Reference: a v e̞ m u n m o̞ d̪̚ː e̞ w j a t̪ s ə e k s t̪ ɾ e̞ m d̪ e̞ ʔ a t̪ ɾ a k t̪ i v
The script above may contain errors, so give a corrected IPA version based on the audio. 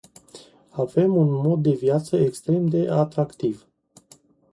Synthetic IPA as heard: a v e̞ m u n m o̞ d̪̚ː e̞ v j a t̪ s ə e k s t̪ ɾ e̞ m d̪ e̞ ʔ a t̪ ɾ a k t̪ i v